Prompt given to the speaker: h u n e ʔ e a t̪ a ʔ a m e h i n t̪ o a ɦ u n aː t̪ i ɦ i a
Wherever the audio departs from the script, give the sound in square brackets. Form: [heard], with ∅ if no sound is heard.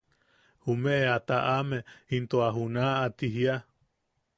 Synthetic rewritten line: h u [m] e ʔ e a t̪ a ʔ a m e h i n t̪ o a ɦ u n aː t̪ i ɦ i a